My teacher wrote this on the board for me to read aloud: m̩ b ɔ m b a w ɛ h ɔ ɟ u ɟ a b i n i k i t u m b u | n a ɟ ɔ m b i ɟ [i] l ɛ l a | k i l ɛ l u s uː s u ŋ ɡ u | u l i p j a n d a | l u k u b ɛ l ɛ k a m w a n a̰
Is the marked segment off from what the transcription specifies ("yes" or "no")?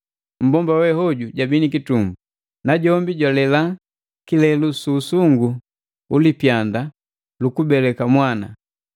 yes